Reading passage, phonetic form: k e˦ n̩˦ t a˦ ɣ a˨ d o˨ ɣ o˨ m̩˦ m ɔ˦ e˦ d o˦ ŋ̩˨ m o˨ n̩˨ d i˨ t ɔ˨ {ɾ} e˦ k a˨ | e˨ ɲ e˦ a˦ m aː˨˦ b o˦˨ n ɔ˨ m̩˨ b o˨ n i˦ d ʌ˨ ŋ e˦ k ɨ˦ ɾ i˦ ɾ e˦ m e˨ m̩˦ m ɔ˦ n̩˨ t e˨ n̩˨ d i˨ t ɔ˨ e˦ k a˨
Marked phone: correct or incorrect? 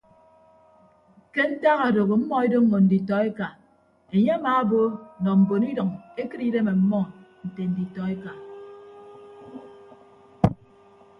incorrect